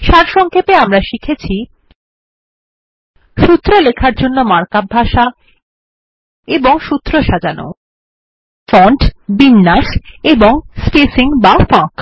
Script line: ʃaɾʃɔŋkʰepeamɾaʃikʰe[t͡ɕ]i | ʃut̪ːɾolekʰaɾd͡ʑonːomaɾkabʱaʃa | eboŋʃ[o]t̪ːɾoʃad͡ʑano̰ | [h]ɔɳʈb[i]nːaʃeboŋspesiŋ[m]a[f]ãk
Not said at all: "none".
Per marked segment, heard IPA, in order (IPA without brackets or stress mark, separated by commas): t͡ɕʰ, u, f, i, b, f